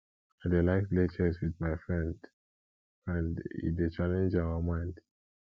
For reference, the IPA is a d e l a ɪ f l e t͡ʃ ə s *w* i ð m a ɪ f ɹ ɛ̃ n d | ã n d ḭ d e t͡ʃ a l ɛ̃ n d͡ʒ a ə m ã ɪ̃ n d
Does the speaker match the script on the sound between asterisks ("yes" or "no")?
yes